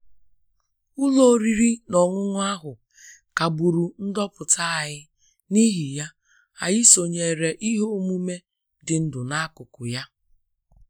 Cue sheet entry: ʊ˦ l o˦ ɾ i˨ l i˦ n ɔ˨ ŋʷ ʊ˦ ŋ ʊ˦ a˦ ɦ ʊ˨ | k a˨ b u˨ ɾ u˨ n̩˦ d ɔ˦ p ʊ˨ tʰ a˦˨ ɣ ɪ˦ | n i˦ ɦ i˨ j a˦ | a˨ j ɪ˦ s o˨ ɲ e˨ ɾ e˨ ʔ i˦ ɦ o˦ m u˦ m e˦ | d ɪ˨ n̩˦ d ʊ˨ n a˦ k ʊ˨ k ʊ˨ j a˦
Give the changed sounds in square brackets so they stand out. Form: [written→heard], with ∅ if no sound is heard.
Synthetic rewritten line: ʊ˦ l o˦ ɾ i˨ [l→ɾ] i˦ n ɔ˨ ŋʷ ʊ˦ ŋ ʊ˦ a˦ ɦ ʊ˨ | k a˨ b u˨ ɾ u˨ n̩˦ d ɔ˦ p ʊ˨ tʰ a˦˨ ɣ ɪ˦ | n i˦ ɦ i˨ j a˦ | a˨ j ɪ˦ s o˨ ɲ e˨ ɾ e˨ ʔ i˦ ɦ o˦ m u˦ m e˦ | d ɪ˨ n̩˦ d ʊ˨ n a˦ k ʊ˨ k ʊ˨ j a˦